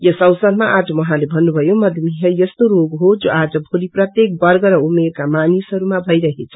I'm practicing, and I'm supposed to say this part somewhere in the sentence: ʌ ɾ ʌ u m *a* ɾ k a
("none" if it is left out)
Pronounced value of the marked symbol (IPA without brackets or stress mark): e